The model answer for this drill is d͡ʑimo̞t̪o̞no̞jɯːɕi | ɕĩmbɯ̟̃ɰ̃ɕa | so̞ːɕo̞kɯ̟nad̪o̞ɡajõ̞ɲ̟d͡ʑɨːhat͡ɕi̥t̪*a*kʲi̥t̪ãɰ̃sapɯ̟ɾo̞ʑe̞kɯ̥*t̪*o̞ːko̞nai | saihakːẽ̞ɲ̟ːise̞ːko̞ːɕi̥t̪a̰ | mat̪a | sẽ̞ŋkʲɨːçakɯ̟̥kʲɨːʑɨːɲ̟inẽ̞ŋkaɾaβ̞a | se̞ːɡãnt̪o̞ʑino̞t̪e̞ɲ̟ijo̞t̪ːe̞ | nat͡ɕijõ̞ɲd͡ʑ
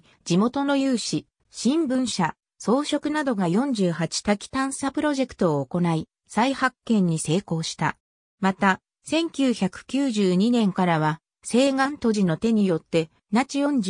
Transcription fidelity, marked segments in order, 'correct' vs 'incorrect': correct, correct

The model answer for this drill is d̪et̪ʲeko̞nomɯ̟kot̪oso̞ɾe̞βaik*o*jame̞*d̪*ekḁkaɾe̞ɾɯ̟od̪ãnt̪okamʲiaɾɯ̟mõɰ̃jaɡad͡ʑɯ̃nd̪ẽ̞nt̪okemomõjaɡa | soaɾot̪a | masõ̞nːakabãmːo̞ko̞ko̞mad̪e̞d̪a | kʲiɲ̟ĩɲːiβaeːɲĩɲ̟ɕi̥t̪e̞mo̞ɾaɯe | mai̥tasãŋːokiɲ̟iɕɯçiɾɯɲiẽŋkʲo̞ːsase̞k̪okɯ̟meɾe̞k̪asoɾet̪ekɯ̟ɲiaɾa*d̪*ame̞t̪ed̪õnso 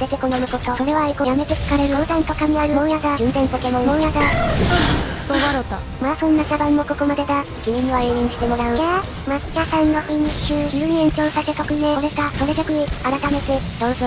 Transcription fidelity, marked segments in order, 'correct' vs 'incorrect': correct, incorrect, incorrect

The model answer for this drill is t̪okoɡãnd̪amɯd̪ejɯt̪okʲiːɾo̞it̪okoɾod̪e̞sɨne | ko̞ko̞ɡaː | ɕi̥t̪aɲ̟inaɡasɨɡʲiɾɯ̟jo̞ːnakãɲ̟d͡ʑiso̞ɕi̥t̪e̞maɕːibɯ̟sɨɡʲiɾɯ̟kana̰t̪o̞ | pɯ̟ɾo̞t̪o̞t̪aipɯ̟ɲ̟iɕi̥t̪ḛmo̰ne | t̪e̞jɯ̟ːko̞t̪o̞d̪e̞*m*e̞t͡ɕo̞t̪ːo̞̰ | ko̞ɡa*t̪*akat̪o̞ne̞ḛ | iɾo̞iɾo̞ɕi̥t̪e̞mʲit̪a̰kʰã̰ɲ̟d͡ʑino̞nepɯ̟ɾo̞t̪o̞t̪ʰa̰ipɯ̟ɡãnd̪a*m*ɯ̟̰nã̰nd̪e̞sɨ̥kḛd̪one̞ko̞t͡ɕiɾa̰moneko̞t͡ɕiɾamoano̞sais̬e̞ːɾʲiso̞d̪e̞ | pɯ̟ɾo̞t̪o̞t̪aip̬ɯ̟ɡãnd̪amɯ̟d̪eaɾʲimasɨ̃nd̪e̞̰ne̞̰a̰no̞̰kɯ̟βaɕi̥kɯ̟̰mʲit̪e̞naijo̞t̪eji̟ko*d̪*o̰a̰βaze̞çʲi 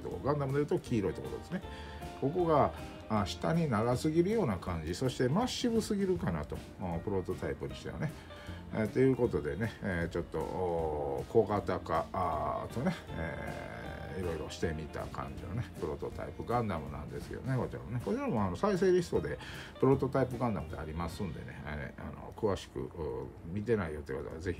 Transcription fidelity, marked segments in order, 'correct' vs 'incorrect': incorrect, correct, correct, incorrect

